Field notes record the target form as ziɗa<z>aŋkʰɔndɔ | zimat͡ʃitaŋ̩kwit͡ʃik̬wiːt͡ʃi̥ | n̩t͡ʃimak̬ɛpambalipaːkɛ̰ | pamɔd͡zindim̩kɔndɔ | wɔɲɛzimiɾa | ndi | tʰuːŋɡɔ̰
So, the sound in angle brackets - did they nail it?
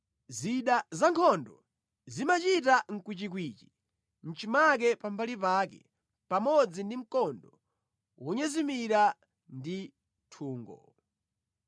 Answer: yes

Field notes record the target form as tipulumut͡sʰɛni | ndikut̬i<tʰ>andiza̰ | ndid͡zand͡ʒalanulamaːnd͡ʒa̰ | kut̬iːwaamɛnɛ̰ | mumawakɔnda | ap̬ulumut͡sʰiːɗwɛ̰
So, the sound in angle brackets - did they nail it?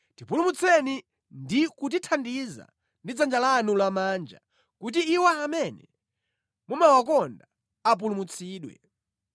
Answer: yes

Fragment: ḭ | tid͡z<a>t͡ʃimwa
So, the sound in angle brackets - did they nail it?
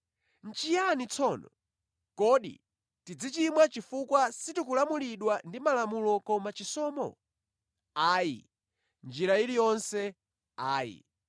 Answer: no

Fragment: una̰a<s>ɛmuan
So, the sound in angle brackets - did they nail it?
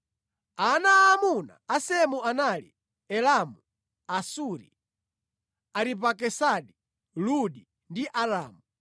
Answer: yes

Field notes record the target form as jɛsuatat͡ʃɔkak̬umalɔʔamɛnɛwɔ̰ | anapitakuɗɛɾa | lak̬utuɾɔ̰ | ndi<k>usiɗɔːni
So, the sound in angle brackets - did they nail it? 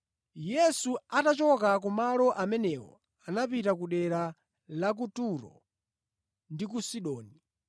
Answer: yes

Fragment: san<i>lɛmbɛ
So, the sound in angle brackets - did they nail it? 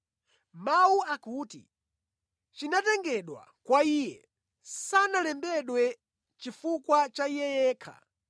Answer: no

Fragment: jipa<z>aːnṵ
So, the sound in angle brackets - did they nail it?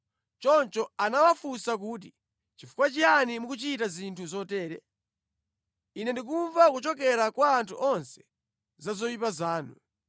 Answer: yes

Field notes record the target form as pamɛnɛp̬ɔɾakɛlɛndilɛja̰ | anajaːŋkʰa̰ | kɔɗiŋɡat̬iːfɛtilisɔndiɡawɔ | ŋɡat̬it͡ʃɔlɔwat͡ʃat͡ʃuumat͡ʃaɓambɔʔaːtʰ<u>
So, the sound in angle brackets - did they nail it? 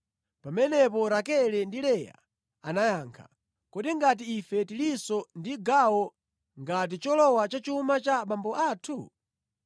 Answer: yes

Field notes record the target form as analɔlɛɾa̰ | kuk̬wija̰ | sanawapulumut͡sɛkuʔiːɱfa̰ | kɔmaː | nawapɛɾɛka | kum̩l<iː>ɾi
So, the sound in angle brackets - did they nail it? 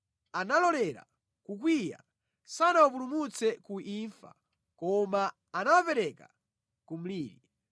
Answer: yes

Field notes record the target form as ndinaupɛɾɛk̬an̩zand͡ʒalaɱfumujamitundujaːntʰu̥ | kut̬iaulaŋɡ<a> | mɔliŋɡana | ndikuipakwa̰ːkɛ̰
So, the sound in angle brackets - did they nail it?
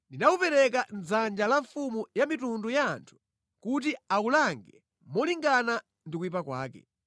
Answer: no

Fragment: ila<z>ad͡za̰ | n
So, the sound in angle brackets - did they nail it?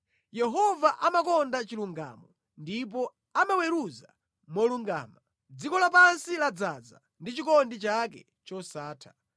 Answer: no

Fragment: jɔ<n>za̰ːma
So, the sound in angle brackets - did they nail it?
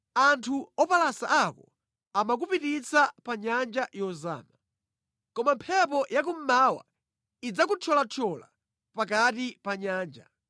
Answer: no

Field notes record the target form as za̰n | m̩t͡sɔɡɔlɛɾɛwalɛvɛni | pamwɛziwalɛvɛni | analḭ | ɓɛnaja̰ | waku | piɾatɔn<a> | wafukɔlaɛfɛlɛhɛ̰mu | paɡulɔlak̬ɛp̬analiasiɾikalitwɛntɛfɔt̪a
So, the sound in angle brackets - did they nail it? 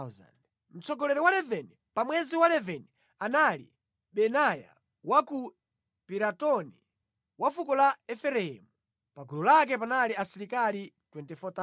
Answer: no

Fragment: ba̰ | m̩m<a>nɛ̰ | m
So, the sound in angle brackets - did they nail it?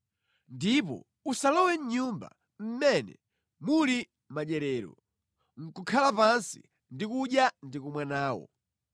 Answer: no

